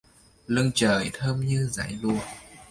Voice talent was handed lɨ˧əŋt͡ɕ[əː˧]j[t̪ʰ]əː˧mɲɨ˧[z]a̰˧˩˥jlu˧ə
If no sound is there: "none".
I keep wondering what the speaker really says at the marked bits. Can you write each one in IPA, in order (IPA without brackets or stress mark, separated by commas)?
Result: əː˨˩, t̪ʰ, z